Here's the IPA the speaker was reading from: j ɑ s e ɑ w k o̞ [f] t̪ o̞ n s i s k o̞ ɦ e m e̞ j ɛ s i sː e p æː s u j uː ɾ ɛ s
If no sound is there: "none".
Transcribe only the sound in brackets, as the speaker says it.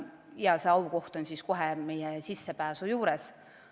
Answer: h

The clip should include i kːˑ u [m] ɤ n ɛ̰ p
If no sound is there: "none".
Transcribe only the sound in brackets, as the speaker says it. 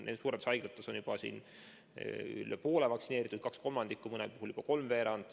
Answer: m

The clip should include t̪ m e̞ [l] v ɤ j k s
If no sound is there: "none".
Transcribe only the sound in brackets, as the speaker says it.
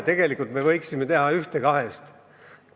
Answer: none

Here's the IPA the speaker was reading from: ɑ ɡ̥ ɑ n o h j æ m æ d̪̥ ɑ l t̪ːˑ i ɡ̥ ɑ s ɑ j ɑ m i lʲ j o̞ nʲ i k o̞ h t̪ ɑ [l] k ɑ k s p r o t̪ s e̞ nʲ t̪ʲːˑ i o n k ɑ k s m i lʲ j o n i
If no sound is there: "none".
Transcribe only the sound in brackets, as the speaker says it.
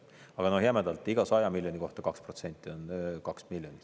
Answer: none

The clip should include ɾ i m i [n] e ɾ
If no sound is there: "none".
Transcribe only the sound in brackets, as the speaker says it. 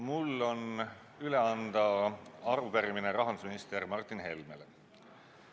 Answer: n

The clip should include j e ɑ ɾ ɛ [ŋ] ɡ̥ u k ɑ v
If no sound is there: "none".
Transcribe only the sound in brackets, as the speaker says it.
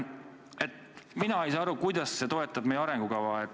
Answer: ŋ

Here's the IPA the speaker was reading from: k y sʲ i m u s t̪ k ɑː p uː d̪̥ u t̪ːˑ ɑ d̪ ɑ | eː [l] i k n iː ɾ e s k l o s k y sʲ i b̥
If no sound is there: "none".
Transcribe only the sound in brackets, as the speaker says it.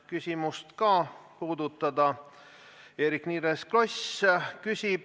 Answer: ɾ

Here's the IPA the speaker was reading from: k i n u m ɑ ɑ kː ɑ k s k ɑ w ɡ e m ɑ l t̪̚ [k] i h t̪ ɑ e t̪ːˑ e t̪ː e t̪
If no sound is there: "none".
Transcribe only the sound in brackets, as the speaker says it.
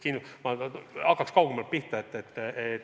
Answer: p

